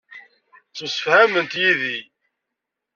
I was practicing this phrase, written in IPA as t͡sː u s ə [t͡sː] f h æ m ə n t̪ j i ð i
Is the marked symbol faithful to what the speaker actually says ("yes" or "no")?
no